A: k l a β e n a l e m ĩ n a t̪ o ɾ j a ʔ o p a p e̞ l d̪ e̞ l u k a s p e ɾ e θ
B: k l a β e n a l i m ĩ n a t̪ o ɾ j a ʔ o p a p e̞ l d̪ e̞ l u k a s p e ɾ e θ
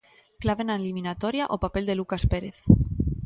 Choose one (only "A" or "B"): B